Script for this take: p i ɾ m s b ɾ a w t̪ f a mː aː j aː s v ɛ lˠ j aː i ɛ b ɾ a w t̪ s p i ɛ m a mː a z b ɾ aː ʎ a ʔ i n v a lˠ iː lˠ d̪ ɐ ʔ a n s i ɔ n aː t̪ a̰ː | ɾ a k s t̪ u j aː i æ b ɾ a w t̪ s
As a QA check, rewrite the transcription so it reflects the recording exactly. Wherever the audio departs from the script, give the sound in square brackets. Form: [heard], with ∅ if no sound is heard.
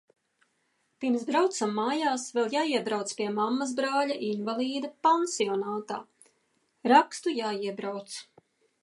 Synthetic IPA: p i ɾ m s b ɾ a w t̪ [s] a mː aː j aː s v ɛ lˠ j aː i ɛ b ɾ a w t̪ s p i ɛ m a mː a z b ɾ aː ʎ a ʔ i n v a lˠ iː [∅] d̪ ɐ [p] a n s i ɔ n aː t̪ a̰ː | ɾ a k s t̪ u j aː i [ɛ] b ɾ a w t̪ s